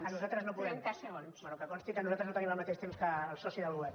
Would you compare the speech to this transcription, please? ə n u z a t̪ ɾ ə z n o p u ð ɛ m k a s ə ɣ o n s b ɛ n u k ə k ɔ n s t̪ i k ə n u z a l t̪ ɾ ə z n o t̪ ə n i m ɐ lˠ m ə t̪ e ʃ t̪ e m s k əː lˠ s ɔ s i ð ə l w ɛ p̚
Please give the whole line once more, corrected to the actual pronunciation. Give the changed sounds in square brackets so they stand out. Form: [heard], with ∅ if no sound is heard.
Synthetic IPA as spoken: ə n u z a t̪ ɾ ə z n o p u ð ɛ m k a s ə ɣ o n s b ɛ n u k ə k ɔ n s t̪ i k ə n u z a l t̪ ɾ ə z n o t̪ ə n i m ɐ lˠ m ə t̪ e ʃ t̪ e m s k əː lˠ s ɔ s i ð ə l w ɛ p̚